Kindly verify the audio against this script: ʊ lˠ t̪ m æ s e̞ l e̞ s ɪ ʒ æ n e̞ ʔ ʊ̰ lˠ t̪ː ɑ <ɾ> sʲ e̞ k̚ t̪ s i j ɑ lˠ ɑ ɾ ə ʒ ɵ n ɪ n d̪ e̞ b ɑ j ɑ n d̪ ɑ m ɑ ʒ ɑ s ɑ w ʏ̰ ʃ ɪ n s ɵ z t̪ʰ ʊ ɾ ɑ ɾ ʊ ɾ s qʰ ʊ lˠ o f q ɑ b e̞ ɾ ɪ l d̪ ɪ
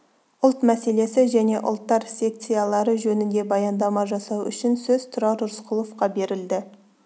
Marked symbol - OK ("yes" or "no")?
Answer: yes